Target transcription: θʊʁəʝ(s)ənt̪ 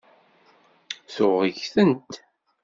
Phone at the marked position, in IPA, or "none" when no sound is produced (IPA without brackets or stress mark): θ